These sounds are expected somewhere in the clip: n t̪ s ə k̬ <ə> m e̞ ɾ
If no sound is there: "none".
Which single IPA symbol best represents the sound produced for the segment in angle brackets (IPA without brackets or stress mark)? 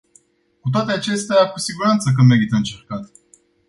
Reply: ə